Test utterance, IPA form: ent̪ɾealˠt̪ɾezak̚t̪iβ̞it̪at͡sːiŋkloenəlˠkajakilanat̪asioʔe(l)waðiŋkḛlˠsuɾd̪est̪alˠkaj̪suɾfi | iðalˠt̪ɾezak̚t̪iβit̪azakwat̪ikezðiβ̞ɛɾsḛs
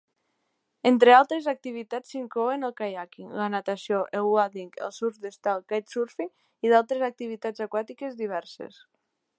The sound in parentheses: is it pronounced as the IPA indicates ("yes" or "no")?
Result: yes